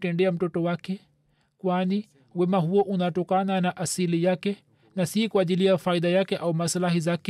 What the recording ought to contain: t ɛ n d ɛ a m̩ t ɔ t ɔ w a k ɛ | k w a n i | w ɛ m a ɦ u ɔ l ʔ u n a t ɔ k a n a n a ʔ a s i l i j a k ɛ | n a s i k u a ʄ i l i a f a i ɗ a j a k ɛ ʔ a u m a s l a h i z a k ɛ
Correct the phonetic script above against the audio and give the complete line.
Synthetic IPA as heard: t ɛ n d ɛ a m̩ t ɔ t ɔ w a k ɛ | k w a n i | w ɛ m a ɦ u ɔ ʔ u n a t ɔ k a n a n a ʔ a s i l i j a k ɛ | n a s i k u a ʄ i l i a f a i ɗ a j a k ɛ ʔ a u m a s l a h i z a k ɛ